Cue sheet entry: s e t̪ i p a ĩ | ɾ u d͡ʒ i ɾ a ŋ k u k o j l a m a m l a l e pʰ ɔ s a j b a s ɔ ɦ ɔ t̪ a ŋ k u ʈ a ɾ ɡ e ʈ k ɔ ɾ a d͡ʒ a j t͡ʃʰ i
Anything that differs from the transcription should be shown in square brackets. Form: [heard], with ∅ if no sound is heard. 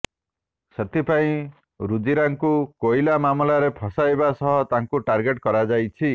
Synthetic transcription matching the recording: s e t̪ i p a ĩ | ɾ u d͡ʒ i ɾ a ŋ k u k o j l a m a m l a [ɾ] e pʰ ɔ s a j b a s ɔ ɦ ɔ t̪ a ŋ k u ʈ a ɾ ɡ e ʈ k ɔ ɾ a d͡ʒ a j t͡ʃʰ i